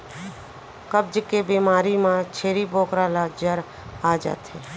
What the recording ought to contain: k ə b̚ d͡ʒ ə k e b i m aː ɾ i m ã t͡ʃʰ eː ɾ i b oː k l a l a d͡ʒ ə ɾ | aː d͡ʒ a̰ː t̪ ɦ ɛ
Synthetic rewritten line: k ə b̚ d͡ʒ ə k e b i m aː ɾ i m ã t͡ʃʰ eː ɾ i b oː k ɾ a l a d͡ʒ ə ɾ | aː d͡ʒ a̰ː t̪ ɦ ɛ